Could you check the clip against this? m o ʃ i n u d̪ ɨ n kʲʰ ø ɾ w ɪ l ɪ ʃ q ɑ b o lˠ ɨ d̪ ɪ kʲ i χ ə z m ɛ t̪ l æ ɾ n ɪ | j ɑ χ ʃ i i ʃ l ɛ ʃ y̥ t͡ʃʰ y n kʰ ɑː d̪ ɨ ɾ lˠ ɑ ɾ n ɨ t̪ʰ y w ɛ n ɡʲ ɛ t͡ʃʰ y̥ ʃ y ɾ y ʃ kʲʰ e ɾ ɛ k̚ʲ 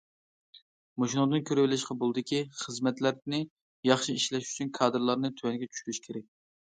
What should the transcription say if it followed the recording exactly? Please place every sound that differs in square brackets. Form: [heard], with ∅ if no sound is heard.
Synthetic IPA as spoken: m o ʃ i n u d̪ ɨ n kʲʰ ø ɾ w ɪ l ɪ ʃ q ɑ b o lˠ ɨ d̪ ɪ kʲ i χ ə z m ɛ t̪ l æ ɾ n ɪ | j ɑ χ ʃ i i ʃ l ɛ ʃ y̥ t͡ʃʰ y n kʰ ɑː d̪ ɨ ɾ lˠ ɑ ɾ n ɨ t̪ʰ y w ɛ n ɡʲ ɛ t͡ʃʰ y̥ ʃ y ɾ y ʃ kʲʰ e ɾ ɛ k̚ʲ